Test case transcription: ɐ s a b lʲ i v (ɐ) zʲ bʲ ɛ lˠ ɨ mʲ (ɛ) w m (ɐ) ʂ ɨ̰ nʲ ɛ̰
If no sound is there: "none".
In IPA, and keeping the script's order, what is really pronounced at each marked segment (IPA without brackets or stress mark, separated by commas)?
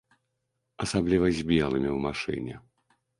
ɐ, i, a